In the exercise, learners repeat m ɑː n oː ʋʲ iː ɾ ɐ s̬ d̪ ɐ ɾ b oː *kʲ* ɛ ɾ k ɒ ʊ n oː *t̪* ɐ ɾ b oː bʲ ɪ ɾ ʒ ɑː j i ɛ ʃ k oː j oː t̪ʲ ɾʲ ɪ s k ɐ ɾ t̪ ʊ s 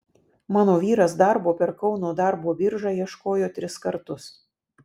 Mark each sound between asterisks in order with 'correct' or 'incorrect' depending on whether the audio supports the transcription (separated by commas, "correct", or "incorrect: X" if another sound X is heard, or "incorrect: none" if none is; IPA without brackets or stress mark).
incorrect: pʲ, incorrect: d̪